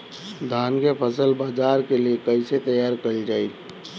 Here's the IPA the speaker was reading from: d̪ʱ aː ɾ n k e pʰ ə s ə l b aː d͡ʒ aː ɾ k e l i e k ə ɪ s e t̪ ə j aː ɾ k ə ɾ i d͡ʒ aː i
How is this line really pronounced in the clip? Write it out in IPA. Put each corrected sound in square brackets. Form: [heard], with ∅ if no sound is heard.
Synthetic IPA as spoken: d̪ʱ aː [∅] n k e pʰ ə s ə l b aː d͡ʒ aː ɾ k e l i e k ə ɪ s e t̪ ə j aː ɾ k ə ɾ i d͡ʒ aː i